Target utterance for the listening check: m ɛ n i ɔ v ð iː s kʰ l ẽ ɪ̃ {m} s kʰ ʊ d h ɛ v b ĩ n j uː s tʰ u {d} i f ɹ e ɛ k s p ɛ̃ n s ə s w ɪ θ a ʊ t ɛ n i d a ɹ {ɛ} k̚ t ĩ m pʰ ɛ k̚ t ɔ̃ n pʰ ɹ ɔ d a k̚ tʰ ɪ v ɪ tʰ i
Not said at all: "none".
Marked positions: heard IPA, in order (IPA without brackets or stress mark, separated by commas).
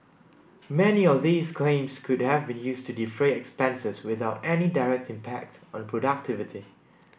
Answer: m, d, ɛ